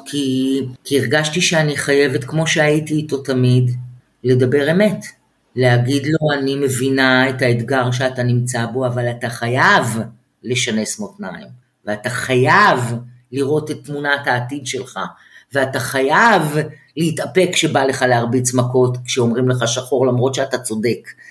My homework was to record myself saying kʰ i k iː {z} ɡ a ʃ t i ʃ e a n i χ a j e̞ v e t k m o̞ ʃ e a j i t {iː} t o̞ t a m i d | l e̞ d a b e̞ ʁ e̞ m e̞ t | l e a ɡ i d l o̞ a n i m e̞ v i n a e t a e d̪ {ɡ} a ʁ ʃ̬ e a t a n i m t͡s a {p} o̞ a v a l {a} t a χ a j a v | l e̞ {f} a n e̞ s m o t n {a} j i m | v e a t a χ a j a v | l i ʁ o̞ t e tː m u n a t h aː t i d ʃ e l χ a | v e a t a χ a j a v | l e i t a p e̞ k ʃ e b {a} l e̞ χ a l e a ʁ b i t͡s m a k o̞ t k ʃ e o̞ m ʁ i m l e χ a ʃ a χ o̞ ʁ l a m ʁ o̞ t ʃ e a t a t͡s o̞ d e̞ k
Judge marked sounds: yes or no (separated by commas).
no, yes, yes, no, yes, no, yes, yes